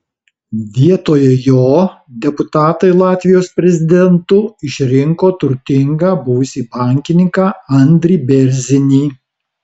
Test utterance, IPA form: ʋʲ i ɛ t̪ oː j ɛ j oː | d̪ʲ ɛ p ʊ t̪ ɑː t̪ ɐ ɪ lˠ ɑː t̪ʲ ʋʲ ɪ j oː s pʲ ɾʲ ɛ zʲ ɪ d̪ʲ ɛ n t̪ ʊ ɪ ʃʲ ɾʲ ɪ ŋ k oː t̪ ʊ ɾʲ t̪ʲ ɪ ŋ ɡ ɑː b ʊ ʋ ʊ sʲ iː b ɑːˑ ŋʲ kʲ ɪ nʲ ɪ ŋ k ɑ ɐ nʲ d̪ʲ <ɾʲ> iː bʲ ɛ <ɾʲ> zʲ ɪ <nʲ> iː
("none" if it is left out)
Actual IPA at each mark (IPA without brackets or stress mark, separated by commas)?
ɾʲ, ɾʲ, nʲ